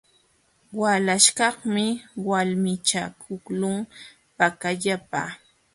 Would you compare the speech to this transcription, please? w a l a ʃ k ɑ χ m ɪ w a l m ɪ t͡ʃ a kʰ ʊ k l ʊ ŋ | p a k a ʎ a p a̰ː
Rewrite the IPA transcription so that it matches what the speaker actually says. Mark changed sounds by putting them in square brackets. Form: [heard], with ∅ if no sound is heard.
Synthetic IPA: w a l a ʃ k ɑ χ m ɪ w a l m ɪ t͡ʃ a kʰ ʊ k l ʊ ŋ | p a k a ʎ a p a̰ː